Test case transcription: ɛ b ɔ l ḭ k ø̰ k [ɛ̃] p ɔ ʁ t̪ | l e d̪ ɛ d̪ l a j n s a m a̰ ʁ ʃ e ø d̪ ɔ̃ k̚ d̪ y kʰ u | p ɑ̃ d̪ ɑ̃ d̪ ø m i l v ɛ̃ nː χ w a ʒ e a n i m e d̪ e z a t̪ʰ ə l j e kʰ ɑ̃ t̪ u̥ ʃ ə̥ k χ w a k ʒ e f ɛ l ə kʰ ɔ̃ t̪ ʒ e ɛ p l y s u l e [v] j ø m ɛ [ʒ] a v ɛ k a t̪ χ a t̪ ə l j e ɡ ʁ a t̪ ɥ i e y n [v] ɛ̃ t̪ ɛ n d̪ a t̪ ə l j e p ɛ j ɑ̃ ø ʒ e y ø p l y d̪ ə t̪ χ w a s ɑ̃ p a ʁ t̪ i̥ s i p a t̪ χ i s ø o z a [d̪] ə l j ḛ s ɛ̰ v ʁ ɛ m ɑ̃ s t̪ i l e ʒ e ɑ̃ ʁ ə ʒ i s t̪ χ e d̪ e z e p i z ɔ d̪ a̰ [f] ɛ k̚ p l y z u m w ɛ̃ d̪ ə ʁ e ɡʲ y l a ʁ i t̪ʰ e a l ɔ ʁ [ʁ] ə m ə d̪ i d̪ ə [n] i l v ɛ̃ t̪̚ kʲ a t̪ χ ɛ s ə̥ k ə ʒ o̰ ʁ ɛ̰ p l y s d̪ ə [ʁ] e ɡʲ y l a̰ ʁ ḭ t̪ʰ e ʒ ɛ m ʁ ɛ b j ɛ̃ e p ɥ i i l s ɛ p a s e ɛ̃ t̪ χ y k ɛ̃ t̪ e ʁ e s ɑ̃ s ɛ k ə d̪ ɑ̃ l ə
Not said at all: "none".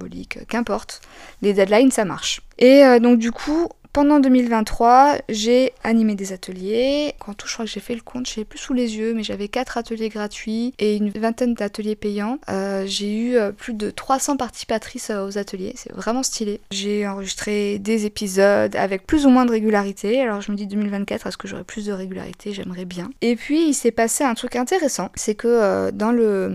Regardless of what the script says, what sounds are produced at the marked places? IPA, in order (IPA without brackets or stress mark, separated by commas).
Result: ɛ̃, z, ʒ, v, t̪, v, ʒ, m, ʁ